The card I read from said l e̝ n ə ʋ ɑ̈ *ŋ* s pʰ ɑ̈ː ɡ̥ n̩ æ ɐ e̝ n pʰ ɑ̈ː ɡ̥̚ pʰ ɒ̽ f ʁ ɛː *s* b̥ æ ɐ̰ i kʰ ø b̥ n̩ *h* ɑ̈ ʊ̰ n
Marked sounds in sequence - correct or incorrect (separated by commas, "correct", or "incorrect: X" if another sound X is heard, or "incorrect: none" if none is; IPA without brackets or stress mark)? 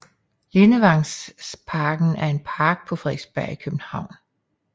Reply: correct, correct, correct